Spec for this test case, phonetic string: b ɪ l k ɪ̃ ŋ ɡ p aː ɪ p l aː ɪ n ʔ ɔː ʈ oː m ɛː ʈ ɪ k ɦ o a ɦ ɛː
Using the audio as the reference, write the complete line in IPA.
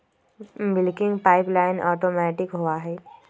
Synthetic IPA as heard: b ɪ l k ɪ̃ ŋ ɡ p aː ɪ p l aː ɪ n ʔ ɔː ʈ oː m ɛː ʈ ɪ k ɦ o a ɦ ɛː